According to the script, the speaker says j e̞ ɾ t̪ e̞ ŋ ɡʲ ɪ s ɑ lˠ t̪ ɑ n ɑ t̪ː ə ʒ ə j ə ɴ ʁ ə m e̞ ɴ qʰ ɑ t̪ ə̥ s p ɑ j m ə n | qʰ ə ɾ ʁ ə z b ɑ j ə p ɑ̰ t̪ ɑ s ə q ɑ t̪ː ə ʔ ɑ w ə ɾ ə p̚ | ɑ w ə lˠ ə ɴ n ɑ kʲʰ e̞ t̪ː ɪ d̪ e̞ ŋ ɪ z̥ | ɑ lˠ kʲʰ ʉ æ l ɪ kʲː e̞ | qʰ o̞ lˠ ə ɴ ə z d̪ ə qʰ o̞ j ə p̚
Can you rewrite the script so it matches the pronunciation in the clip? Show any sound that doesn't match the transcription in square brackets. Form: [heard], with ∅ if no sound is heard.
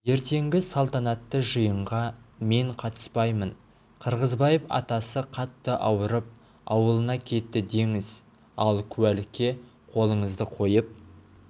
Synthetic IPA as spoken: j e̞ ɾ t̪ e̞ ŋ ɡʲ ɪ s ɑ lˠ t̪ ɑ n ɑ t̪ː ə ʒ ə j ə ɴ ʁ [ɑ] m e̞ ɴ qʰ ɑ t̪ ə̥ s p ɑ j m ə n | qʰ ə ɾ ʁ ə z b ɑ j ə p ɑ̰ t̪ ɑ s ə [qʰ] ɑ t̪ː ə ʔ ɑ w ə ɾ ə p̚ | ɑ w ə lˠ ə [∅] n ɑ kʲʰ e̞ t̪ː ɪ d̪ e̞ ŋ ɪ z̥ | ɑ lˠ kʲʰ ʉ æ l ɪ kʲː e̞ | qʰ o̞ lˠ ə ɴ ə z d̪ ə qʰ o̞ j ə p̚